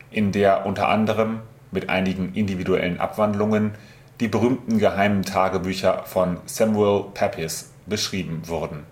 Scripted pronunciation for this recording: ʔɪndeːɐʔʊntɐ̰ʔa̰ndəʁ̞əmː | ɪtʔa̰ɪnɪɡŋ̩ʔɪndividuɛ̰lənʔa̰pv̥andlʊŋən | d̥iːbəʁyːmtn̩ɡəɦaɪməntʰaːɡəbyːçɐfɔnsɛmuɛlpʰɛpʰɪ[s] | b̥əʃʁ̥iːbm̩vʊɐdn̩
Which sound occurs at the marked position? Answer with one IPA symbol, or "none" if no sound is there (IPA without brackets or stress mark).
s